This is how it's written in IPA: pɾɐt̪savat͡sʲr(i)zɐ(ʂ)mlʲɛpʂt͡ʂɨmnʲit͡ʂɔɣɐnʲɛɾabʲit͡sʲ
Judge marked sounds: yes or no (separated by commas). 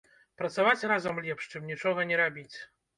no, no